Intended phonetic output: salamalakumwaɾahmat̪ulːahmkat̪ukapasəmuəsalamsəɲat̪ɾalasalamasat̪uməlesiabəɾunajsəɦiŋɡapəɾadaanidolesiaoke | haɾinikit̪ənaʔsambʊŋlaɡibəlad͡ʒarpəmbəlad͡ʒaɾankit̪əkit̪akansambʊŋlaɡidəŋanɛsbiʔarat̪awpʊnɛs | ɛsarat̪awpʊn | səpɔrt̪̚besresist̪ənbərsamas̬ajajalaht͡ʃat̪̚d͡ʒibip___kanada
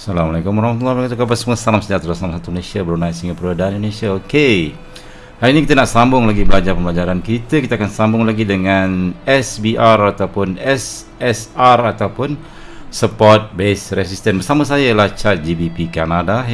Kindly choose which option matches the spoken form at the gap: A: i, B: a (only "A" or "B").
A